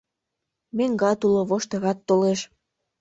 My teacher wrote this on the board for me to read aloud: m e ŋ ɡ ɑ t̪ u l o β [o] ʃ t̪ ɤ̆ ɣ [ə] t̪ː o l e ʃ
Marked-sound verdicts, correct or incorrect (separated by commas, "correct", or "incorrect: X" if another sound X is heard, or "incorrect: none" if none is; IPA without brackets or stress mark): correct, incorrect: ɑ